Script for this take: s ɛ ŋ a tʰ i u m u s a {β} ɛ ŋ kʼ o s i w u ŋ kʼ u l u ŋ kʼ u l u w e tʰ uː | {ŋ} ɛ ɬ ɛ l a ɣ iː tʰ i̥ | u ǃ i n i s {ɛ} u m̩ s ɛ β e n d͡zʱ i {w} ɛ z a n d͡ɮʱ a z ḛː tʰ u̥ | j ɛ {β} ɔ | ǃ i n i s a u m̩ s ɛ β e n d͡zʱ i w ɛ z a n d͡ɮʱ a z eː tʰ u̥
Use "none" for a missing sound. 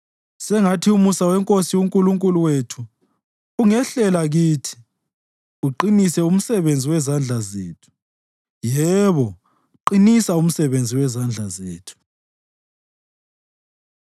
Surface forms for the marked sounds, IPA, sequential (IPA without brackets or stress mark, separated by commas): w, ŋ, ɛ, w, β